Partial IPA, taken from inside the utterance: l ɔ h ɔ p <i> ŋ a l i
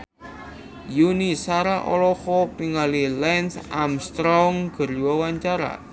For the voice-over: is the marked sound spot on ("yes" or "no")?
yes